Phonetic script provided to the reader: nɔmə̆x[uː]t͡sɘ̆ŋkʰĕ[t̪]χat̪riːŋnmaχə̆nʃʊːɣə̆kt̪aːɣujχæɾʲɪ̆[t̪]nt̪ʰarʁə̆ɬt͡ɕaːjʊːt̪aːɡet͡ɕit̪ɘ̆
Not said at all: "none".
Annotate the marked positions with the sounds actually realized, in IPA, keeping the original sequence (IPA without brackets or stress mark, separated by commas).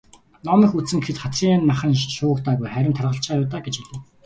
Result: u, t̪, none